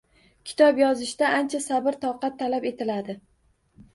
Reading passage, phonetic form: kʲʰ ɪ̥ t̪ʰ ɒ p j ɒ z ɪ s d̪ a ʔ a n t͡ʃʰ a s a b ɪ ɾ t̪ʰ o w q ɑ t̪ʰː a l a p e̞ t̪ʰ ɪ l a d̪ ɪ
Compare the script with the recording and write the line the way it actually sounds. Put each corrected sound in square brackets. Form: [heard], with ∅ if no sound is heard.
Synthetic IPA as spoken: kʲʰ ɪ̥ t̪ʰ ɒ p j ɒ z ɪ [ʃ] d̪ a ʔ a n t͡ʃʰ a s a b ɪ ɾ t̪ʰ [ɒ] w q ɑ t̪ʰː a l a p e̞ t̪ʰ ɪ l a d̪ ɪ